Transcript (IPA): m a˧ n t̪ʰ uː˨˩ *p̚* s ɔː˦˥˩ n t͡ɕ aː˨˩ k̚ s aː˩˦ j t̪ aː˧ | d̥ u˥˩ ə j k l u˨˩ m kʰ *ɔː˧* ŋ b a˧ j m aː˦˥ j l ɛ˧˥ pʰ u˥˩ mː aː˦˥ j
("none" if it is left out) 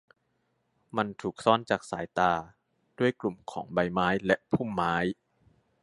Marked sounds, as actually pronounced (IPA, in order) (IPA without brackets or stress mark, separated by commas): k̚, ɔː˩˦